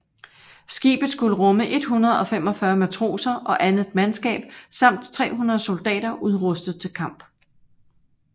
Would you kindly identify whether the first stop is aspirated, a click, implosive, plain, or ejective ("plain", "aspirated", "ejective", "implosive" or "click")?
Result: plain